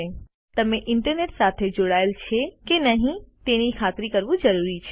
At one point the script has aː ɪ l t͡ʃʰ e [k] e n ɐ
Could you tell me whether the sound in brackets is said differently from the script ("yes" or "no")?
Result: no